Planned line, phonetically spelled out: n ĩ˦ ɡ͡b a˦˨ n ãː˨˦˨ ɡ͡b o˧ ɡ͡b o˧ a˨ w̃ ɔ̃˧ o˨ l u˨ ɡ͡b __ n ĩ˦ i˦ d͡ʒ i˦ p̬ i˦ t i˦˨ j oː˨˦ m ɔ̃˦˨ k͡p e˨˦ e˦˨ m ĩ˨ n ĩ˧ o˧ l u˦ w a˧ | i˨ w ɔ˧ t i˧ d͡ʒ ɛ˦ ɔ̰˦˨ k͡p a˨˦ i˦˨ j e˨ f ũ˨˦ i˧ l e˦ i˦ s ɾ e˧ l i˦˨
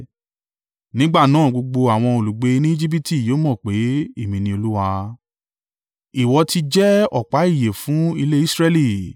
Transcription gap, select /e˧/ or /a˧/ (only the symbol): e˧